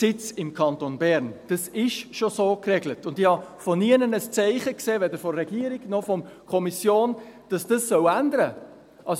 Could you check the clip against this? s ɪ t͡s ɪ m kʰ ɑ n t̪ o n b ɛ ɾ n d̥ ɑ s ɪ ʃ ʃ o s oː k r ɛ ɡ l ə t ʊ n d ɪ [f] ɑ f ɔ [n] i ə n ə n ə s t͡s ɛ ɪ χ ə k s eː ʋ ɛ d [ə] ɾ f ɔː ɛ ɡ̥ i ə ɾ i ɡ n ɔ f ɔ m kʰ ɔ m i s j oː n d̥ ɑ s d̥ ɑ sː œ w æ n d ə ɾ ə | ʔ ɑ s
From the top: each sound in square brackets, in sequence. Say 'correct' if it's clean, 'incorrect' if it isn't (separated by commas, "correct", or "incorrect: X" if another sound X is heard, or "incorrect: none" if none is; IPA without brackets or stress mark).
incorrect: h, correct, correct